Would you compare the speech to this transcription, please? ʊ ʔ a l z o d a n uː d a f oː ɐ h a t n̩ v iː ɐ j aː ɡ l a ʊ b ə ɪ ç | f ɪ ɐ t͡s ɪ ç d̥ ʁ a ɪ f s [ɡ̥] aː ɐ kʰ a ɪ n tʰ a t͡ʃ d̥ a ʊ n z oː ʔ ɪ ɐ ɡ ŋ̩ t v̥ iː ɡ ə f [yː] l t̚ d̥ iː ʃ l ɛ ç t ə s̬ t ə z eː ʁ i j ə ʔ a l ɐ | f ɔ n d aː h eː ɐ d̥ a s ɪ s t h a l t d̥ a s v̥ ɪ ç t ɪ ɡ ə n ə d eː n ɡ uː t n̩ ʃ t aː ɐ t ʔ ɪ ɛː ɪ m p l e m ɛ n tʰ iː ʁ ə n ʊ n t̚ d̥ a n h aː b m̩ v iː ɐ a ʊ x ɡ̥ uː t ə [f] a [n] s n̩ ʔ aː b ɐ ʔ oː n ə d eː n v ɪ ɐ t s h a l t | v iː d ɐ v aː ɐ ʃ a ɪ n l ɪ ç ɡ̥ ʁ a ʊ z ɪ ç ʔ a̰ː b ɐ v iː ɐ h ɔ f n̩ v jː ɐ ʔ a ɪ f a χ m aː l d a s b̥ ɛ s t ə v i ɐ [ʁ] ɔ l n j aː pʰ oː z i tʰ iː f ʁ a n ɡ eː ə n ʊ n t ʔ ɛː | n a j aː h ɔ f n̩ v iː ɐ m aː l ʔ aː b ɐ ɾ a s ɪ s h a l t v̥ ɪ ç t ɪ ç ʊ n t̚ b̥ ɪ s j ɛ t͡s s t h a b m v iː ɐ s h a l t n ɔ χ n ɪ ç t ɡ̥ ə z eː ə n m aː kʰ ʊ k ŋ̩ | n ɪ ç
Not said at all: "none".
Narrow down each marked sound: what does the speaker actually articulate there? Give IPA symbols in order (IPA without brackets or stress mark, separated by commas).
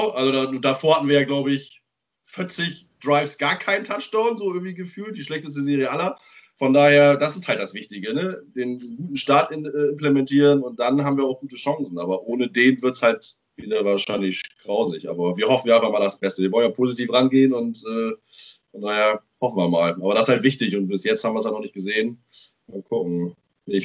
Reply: ɡ̥, yː, ʃ, ŋ, v